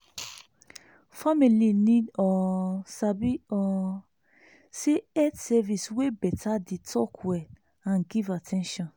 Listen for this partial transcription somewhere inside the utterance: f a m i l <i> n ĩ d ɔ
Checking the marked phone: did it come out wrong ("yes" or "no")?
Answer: no